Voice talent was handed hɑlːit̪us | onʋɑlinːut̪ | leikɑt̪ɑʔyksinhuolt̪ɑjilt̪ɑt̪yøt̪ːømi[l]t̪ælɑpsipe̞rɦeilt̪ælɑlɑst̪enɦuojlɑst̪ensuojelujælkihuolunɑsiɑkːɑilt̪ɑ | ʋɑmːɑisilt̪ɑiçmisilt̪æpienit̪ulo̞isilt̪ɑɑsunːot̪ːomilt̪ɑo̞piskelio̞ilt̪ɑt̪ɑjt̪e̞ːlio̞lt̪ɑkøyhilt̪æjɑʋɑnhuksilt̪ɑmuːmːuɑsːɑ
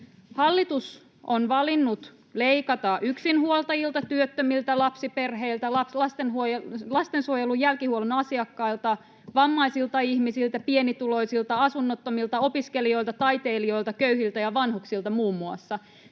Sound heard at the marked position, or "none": l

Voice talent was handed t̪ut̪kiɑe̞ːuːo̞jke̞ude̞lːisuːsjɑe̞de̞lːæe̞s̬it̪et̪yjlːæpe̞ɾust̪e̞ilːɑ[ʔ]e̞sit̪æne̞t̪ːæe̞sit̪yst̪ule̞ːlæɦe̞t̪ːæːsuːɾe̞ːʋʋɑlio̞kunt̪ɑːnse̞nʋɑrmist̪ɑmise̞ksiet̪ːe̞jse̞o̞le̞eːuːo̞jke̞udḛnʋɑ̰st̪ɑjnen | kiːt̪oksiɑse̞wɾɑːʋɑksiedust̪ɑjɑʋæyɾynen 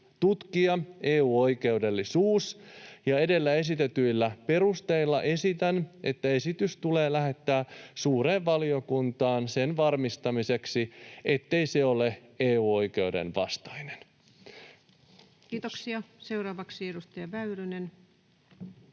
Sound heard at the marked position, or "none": ʔ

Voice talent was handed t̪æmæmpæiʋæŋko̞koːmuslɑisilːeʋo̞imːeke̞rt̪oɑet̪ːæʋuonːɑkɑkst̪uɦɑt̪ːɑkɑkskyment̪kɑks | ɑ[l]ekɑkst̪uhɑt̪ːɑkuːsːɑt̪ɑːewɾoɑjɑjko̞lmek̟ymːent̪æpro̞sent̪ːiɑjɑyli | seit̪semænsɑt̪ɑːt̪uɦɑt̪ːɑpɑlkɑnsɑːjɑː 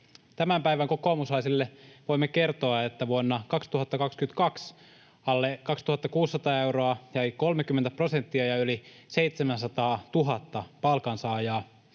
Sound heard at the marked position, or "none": lː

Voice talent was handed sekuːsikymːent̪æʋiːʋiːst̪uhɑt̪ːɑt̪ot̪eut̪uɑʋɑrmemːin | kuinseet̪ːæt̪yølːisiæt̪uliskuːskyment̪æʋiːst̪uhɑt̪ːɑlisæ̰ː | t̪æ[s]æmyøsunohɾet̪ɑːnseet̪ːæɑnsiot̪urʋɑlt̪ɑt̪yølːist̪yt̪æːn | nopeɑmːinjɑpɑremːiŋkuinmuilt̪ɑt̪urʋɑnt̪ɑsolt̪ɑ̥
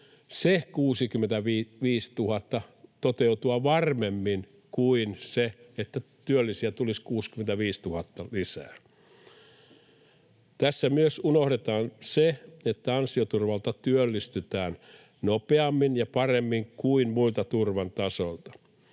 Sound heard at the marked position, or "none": sː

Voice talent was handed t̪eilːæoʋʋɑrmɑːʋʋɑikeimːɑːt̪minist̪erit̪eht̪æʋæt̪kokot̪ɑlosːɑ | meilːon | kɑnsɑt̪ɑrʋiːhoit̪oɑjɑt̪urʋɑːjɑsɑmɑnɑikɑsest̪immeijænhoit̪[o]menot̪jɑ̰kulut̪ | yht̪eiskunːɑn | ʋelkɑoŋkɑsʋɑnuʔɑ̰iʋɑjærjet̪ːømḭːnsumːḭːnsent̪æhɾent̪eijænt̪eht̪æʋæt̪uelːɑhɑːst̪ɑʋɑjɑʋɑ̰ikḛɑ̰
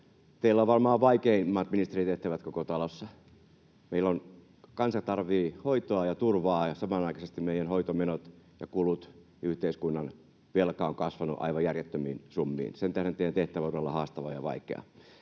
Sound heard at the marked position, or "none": o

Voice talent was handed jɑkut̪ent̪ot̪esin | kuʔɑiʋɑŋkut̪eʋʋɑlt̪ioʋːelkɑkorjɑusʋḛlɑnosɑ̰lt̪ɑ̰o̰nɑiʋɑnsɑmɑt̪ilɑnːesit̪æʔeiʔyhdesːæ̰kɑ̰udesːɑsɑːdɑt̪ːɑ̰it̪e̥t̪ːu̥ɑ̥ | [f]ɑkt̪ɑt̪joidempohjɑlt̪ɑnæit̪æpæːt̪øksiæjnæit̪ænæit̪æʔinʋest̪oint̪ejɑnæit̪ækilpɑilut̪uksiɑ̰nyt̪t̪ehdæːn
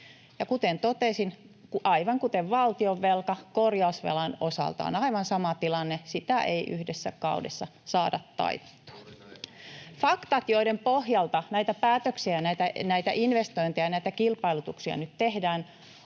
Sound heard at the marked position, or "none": f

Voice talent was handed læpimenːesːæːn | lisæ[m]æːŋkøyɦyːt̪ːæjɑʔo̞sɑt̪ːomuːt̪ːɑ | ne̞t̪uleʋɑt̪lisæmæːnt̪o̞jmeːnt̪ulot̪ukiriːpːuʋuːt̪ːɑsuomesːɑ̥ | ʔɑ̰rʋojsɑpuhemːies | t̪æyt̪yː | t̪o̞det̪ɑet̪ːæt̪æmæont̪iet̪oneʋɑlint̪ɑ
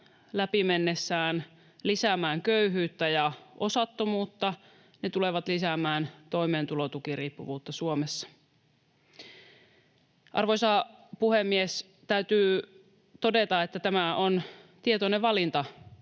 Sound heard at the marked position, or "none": m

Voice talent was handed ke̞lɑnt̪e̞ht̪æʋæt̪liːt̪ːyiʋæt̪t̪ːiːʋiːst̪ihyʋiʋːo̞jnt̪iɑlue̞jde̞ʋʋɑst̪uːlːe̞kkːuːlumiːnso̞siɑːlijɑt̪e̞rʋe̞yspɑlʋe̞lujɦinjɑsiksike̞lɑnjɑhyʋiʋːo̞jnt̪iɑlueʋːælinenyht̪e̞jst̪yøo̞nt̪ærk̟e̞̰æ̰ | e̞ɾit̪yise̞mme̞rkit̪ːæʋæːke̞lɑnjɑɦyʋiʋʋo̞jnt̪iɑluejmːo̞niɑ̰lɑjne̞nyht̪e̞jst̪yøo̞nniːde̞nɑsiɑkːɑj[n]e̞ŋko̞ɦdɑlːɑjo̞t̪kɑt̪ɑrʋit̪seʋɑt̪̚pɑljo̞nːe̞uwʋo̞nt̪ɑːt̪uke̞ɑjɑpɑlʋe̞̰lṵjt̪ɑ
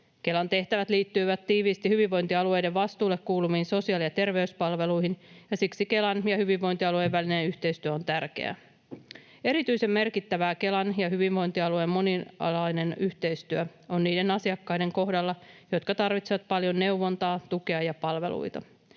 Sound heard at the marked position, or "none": d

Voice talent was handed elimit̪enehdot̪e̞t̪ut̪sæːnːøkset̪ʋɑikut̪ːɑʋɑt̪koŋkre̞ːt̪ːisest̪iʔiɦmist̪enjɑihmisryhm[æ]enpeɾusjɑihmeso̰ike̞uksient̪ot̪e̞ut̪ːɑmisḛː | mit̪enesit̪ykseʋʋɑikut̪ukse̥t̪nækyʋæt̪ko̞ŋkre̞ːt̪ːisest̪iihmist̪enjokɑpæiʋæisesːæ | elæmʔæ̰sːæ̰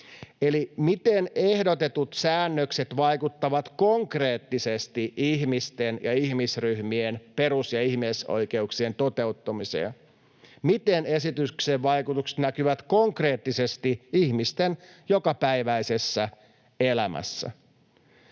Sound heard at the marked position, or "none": i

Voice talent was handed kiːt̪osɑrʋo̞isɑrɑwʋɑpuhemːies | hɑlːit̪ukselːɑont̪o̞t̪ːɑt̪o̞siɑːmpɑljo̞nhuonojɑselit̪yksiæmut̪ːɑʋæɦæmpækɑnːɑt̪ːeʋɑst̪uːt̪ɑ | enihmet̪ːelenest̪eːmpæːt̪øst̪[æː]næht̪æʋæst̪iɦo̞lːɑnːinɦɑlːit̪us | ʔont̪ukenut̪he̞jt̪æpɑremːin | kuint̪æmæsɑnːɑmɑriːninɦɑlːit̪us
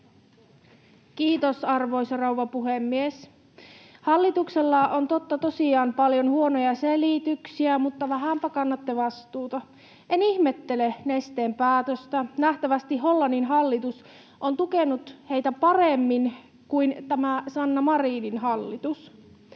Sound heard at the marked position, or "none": æ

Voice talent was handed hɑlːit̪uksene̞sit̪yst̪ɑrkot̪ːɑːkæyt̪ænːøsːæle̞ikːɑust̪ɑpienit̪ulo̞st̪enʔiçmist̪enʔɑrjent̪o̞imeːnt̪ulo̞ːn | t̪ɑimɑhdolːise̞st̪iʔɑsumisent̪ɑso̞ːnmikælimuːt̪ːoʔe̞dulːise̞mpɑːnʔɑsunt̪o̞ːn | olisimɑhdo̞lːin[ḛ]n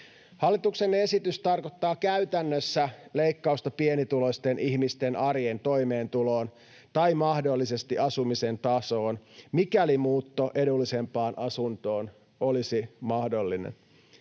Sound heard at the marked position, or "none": ḛ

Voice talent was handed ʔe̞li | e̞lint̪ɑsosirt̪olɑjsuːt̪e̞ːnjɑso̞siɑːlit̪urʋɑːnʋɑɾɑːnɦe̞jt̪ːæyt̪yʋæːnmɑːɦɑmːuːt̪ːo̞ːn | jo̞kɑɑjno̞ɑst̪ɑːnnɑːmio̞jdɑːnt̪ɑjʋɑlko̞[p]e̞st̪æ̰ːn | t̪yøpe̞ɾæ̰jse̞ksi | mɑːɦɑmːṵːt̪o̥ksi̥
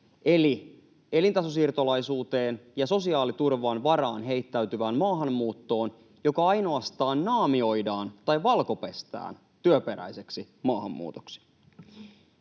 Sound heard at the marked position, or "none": p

